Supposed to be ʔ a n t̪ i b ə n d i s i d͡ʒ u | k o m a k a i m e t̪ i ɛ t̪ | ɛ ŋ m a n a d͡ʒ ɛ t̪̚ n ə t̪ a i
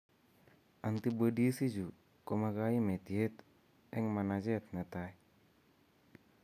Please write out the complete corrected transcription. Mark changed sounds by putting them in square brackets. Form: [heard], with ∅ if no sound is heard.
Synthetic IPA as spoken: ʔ a n t̪ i b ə [∅] d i s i d͡ʒ u | k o m a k a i m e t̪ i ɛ t̪ | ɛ ŋ m a n a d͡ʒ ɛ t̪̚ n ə t̪ a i